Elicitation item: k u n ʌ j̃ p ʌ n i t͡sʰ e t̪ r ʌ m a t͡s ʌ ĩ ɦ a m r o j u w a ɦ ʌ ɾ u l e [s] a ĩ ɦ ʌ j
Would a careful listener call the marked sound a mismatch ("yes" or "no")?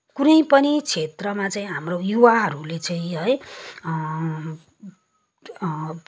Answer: yes